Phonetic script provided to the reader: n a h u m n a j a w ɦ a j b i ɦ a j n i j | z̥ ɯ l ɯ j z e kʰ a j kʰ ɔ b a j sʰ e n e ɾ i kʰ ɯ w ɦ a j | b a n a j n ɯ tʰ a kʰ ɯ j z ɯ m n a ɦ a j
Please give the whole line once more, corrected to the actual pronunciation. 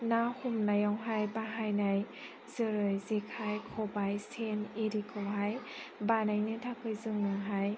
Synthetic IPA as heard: n a h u m n a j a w ɦ a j b a ɦ a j n a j | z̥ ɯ ɾ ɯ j z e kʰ a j kʰ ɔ b a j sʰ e n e ɾ i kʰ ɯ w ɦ a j | b a n a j n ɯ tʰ a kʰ ɯ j z ɯ ŋ n a ɦ a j